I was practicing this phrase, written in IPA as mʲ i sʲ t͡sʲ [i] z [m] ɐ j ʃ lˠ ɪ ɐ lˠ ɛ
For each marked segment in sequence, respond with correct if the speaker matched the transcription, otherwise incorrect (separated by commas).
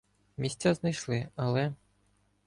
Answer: incorrect, incorrect